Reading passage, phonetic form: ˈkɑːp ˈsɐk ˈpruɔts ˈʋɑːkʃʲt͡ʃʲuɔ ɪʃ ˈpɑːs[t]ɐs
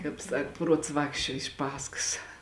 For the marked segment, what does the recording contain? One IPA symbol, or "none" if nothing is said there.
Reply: k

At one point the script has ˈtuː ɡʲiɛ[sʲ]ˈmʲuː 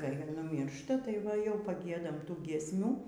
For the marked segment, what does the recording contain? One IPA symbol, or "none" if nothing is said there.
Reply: sʲ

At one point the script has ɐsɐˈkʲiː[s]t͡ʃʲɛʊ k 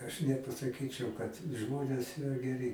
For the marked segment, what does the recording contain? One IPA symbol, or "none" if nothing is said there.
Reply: none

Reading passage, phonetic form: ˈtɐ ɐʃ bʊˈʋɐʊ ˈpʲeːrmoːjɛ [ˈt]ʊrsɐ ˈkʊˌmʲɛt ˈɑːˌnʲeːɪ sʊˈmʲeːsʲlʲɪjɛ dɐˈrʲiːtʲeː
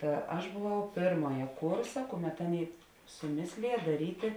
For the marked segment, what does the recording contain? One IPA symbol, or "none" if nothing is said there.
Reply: k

